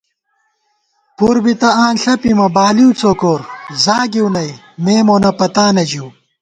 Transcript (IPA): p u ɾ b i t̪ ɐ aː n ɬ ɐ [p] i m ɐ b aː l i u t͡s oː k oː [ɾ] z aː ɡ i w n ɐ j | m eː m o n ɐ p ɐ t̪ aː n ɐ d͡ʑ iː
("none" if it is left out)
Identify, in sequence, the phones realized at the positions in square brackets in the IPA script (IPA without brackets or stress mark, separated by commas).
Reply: p, ɾ